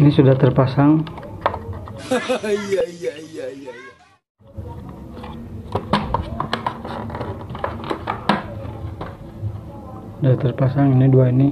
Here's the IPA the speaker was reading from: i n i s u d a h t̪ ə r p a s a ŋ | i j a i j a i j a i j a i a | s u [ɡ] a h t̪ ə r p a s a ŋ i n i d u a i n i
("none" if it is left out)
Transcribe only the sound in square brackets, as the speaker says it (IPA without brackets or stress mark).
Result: d